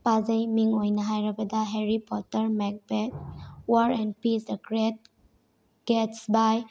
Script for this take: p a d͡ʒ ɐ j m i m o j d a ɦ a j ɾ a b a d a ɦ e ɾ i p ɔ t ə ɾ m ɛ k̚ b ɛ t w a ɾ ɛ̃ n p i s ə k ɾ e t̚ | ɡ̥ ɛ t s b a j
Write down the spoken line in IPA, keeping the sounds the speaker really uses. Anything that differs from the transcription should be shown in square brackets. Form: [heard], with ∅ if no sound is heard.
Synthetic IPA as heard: p a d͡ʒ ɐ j m i [ŋ] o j [n] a ɦ a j ɾ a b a d a ɦ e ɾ i p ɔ t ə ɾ m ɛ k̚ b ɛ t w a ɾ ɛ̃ n p i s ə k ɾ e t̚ | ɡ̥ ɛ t s b a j